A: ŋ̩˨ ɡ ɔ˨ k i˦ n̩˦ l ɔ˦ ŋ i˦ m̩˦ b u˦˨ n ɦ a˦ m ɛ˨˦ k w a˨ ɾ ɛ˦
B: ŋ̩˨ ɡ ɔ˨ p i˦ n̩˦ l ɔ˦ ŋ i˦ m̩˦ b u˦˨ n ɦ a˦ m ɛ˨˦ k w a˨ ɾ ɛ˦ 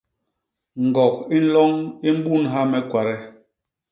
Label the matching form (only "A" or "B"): A